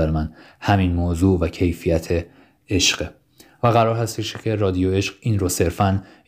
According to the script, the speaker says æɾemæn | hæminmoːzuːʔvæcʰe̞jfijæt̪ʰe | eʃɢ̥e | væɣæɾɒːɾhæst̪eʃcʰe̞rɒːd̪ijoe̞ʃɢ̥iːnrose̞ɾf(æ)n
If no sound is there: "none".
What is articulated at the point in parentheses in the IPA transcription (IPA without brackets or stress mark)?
æ